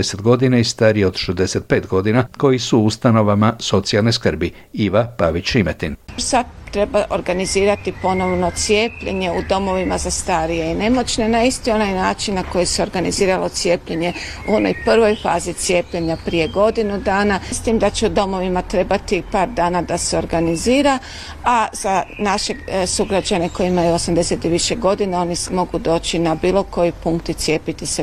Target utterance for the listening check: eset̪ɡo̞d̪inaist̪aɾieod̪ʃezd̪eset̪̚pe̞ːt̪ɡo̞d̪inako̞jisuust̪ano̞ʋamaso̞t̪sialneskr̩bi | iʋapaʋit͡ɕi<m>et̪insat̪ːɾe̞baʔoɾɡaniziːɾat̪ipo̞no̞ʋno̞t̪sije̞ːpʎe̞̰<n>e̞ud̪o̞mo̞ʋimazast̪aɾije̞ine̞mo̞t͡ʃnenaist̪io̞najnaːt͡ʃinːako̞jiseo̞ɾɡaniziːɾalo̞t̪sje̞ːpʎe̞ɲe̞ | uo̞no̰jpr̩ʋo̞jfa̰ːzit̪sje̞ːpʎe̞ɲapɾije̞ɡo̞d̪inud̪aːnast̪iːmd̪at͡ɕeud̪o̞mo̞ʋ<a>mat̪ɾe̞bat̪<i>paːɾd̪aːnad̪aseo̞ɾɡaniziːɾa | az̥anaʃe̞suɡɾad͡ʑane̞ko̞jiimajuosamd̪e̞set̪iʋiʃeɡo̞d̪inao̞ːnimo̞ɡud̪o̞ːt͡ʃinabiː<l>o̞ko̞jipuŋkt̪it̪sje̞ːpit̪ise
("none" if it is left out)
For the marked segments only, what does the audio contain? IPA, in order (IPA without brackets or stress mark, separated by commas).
m, ɲ, i, i, l